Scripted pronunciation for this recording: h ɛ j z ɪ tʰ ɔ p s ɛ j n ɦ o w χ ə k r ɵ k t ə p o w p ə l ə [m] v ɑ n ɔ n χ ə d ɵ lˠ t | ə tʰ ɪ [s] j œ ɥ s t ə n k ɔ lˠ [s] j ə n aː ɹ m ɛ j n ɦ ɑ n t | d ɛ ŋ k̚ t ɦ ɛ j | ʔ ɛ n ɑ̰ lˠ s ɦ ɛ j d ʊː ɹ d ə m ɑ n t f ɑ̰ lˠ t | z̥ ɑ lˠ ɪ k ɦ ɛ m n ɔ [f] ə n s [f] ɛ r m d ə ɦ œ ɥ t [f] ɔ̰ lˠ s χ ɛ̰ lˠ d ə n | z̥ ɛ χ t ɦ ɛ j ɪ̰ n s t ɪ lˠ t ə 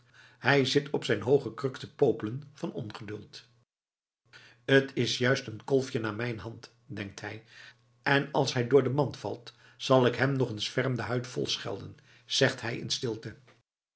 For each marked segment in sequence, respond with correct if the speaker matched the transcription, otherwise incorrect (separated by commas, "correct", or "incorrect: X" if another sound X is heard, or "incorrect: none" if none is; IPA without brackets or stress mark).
incorrect: n, correct, incorrect: f, incorrect: χ, correct, correct